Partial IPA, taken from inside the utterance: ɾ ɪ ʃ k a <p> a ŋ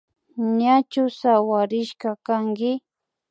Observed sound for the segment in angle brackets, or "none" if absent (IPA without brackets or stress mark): k